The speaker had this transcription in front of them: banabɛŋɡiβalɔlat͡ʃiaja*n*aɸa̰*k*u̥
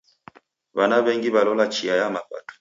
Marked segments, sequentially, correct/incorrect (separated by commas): incorrect, incorrect